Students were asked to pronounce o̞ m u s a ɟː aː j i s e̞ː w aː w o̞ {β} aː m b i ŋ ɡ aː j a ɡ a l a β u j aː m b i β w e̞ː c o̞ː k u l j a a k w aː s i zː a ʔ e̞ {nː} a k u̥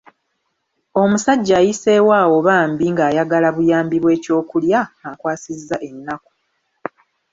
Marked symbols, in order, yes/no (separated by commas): yes, yes